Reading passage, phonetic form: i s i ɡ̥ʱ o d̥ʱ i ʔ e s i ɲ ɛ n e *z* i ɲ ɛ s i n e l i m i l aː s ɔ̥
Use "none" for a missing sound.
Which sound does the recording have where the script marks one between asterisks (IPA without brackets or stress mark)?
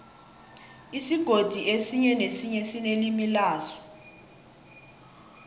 s